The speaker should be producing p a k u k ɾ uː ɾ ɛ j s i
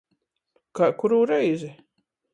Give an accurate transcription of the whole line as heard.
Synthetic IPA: k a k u ɾ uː ɾ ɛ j z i

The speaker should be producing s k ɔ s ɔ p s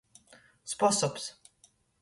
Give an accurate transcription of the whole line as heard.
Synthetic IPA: s p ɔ s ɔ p s

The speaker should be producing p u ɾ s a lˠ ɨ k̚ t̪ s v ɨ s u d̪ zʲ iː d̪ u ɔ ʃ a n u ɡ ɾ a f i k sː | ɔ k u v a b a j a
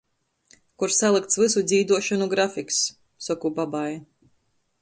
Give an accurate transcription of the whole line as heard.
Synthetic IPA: k u ɾ s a lˠ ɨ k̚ t̪ s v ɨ s u d̪ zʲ iː d̪ u ɔ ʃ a n u ɡ ɾ a f i k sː | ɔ k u b a b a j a

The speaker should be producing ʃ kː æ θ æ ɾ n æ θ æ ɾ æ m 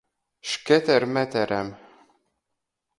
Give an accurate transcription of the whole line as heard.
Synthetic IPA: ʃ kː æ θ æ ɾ m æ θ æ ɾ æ m

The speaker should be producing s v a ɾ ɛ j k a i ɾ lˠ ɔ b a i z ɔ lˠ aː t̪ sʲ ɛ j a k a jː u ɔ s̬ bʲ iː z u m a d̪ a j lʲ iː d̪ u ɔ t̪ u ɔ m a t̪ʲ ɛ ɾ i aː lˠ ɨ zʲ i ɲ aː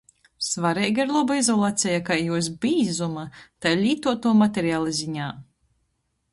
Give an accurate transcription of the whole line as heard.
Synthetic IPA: s v a ɾ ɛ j ɡ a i ɾ lˠ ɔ b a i z ɔ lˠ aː t̪ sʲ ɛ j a k a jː u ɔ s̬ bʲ iː z u m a t̪ a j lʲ iː t̪ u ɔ t̪ u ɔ m a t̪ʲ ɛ ɾ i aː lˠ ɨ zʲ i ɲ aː

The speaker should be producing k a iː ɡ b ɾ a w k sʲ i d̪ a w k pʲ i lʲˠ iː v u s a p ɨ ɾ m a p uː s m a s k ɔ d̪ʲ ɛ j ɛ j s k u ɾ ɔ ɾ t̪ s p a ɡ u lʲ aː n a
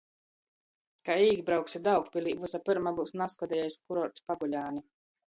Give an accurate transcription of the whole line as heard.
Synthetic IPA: k a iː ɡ b ɾ a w k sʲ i d̪ a w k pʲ i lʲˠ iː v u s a p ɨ ɾ m a b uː s n a s k ɔ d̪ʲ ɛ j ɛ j s k u ɾ ɔ ɾ t̪ s p a ɡ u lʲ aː n i

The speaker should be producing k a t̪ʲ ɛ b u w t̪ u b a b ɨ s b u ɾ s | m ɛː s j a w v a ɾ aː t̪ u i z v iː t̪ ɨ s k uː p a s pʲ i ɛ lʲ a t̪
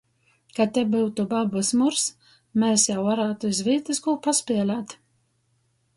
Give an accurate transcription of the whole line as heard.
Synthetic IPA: k a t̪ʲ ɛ b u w t̪ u b a b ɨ s m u ɾ s | m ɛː s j a w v a ɾ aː t̪ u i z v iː t̪ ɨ s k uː p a s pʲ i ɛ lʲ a t̪

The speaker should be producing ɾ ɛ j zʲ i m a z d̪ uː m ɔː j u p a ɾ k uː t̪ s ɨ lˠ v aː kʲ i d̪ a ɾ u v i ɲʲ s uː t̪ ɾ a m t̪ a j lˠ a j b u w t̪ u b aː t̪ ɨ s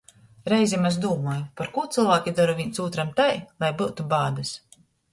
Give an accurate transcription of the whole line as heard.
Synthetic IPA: ɾ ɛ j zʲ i m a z d̪ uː m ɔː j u p a ɾ k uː t̪ s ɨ lˠ v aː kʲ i d̪ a ɾ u v i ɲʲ s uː t̪ ɾ a m t̪ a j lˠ a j b u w t̪ u b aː d̪ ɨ s

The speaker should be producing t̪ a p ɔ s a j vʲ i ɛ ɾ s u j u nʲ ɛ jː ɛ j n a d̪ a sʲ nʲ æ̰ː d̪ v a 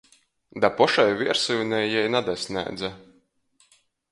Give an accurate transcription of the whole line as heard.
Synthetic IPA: d̪ a p ɔ ʃ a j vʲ i ɛ ɾ s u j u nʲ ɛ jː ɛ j n a d̪ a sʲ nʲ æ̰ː d̪ z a

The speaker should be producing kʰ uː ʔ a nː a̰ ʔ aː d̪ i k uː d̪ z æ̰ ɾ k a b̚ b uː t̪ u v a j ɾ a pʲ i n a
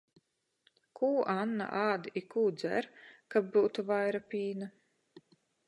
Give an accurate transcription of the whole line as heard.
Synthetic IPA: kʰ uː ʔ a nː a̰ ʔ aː d̪ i k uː d̪ z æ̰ ɾ k a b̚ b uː t̪ u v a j ɾ a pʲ iː n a

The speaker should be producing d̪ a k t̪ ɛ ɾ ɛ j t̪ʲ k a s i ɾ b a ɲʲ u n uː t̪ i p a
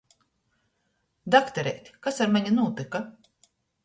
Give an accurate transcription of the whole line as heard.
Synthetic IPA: d̪ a k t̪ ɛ ɾ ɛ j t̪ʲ k a s a ɾ m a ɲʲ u n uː t̪ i k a

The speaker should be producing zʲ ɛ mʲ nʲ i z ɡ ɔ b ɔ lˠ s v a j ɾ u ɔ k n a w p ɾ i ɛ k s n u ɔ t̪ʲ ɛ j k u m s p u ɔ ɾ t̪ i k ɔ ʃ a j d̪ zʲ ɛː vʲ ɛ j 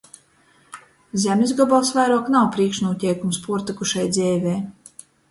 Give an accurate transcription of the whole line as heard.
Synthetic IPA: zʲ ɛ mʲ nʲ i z ɡ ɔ b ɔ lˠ s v a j ɾ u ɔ k n a w p ɾ i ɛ k ʃ n u ɔ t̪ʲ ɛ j k u m s p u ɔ ɾ t̪ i k u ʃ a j d̪ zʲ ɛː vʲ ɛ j

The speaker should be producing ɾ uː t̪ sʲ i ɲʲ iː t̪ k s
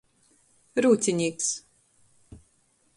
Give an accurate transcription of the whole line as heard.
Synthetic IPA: ɾ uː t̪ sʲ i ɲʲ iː k s

